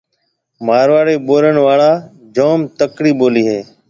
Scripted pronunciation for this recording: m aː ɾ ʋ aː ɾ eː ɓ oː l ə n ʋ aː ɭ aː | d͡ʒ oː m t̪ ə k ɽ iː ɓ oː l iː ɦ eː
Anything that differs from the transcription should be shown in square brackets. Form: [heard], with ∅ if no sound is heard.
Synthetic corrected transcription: m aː ɾ ʋ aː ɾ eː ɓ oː [ɾ] ə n ʋ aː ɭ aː | d͡ʒ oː m t̪ ə k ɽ iː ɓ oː l iː ɦ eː